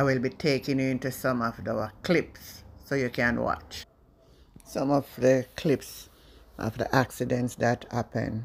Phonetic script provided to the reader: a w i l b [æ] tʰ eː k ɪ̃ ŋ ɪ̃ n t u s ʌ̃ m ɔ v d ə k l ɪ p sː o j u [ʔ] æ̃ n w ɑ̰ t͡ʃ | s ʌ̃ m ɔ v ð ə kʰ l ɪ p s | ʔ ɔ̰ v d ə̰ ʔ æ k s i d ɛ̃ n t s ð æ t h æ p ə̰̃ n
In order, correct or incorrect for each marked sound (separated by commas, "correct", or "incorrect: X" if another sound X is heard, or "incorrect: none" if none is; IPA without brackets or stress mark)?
incorrect: i, incorrect: k